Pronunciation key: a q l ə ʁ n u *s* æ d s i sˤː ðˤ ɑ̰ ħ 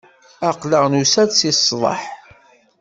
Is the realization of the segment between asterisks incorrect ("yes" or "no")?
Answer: no